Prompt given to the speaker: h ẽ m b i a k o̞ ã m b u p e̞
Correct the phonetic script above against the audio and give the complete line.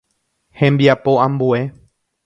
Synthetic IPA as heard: h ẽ m b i a p o̞ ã m b u e̞